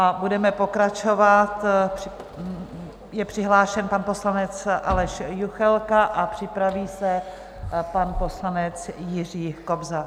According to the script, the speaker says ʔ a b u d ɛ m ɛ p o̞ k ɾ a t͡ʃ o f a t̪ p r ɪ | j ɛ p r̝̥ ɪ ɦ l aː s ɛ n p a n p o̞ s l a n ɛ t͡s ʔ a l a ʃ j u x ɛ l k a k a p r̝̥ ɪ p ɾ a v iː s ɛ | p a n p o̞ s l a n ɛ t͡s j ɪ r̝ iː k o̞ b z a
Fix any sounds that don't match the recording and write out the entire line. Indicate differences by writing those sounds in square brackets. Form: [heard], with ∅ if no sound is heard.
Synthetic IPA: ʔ a b u d ɛ m ɛ p o̞ k ɾ a t͡ʃ o [v] a t̪ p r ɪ | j ɛ p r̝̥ ɪ ɦ l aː [ʃ] ɛ n p a n p o̞ s l a n ɛ t͡s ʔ a l [ɛ] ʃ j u x ɛ l k a [ʔ] a p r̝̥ ɪ p ɾ a v iː s ɛ | p a n p o̞ s l a n ɛ t͡s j ɪ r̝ iː k o̞ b z a